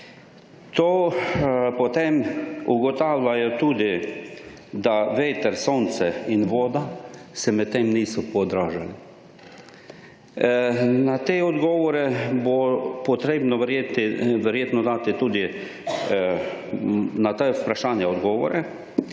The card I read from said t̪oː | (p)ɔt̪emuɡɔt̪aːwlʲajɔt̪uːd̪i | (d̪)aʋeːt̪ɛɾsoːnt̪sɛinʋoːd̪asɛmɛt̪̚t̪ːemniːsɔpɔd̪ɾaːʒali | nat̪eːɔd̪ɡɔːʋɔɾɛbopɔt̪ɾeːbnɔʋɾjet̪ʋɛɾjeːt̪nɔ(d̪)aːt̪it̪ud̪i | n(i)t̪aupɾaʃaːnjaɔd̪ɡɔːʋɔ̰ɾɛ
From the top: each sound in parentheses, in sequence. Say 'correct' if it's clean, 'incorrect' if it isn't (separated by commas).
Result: correct, correct, correct, incorrect